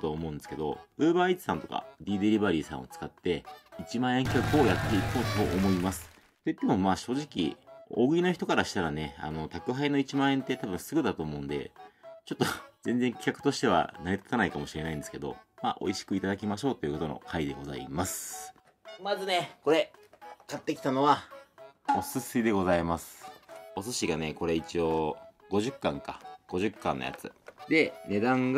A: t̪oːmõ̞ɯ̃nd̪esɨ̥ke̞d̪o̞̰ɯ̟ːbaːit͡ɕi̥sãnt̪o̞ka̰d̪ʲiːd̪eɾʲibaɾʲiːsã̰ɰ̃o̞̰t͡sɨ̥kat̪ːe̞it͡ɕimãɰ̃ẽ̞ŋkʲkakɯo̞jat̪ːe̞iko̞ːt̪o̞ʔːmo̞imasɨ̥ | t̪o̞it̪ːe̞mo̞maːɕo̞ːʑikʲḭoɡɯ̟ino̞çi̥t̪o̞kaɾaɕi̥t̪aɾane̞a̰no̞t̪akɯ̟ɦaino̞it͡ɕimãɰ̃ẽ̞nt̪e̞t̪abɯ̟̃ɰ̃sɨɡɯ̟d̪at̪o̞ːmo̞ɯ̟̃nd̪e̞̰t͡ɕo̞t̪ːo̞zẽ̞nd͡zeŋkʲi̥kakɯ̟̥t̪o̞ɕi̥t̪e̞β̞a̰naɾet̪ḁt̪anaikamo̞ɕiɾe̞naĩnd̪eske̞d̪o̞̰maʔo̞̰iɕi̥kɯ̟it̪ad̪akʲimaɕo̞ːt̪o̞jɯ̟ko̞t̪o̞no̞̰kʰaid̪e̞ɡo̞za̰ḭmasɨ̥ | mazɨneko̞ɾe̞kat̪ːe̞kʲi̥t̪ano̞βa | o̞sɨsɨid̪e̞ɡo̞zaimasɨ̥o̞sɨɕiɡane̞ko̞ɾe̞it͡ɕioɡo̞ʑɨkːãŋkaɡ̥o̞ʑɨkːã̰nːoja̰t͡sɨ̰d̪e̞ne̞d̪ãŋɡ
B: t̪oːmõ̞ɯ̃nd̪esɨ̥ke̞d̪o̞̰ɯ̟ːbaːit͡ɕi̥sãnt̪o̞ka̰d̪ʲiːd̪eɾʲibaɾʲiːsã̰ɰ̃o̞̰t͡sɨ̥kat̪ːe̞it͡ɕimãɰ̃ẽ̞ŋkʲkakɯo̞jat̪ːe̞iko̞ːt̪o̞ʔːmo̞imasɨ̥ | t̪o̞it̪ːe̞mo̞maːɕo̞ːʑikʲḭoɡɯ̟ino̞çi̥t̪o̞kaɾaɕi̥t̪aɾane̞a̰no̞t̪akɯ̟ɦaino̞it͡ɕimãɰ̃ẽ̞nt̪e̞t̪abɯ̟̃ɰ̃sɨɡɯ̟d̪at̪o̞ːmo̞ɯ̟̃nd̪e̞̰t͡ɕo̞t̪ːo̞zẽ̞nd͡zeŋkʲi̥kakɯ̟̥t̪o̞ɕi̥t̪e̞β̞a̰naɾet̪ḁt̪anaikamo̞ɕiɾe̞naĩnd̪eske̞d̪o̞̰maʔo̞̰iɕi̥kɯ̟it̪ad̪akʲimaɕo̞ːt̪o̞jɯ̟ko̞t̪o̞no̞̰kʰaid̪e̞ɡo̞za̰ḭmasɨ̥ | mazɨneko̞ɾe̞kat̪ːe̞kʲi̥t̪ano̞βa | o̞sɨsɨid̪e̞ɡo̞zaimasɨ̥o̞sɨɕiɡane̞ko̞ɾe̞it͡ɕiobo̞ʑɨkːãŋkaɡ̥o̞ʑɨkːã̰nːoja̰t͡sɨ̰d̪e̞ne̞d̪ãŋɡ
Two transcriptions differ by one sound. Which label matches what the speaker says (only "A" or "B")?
A